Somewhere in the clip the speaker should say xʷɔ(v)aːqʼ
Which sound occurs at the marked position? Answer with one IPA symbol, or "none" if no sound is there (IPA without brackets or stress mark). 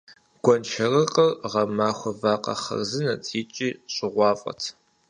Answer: v